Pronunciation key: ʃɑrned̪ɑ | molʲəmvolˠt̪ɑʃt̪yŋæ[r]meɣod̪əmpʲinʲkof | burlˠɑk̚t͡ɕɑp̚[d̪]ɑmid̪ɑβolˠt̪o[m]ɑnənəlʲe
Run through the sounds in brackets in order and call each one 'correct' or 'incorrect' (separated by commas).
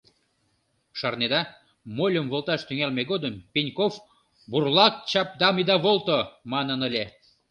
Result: incorrect, correct, correct